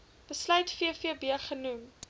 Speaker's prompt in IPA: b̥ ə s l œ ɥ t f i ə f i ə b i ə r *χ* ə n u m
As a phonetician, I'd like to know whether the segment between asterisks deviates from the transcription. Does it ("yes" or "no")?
no